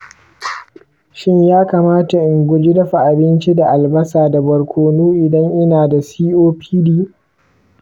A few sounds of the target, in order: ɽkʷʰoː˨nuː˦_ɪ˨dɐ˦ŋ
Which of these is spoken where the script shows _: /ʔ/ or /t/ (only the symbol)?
ʔ